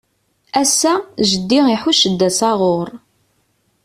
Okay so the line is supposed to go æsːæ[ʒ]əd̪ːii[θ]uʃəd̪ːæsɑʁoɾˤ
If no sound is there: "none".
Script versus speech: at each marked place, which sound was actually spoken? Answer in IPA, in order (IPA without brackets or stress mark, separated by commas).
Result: ʒ, ħ